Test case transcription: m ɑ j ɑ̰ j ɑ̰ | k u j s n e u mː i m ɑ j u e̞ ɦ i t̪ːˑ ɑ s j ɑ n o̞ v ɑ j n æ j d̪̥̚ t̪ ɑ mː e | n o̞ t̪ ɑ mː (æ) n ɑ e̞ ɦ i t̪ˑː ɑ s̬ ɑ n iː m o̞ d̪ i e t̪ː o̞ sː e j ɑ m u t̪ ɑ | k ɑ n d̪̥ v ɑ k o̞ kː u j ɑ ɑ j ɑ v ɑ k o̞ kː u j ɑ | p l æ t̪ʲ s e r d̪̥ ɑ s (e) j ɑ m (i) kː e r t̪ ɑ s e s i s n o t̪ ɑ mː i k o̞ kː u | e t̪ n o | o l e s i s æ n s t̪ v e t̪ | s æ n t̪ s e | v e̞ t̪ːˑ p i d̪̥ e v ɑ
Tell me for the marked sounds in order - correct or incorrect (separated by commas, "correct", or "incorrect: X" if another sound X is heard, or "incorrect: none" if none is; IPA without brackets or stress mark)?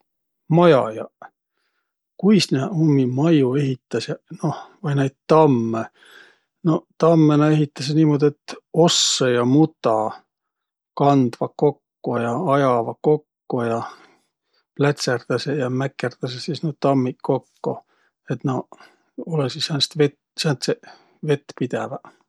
incorrect: e, correct, incorrect: æ